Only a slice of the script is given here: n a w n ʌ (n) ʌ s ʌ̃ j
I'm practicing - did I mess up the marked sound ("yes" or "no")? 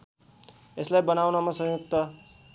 yes